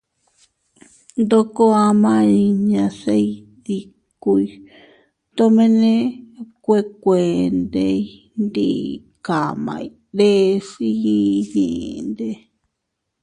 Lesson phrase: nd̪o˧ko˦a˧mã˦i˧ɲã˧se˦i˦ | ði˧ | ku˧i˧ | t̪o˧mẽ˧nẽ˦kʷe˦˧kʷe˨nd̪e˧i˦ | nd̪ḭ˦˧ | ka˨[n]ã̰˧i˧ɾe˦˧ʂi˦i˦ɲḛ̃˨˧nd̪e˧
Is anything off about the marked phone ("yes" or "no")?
yes